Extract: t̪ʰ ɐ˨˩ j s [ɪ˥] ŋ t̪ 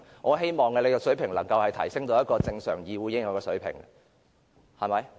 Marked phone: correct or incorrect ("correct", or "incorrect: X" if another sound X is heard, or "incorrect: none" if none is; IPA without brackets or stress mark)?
correct